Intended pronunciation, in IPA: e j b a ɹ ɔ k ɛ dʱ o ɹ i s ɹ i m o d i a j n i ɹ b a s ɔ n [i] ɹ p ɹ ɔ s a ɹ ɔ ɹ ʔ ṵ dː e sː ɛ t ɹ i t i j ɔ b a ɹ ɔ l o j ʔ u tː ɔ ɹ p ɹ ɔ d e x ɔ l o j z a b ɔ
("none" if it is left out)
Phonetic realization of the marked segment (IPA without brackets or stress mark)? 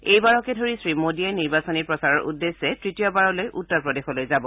i